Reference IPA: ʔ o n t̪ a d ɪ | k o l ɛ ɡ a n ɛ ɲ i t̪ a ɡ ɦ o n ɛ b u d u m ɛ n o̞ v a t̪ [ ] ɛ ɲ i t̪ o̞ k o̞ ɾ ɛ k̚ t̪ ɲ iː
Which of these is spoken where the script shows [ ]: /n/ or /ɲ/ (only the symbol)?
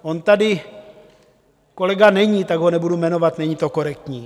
n